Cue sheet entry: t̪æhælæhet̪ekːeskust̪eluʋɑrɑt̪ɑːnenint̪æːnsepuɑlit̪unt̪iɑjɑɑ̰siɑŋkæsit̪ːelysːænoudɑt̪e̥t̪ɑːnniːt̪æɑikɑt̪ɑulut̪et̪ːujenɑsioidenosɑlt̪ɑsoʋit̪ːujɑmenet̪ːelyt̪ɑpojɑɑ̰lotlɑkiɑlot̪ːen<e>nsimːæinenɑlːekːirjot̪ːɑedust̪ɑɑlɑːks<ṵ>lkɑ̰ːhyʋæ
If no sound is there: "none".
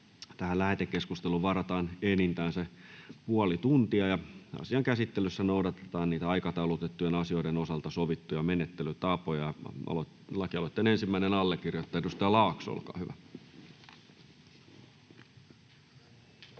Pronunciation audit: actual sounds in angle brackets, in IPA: e, o̰

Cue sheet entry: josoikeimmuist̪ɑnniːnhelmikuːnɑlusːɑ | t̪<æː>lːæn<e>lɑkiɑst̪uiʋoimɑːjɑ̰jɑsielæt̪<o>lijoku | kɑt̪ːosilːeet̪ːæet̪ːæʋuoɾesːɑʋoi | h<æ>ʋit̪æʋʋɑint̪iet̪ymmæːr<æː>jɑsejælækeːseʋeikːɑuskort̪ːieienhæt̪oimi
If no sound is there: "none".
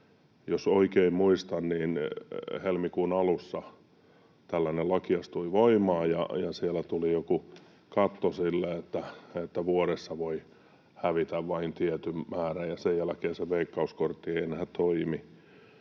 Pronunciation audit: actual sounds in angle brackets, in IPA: æ, e, u, æ, æ

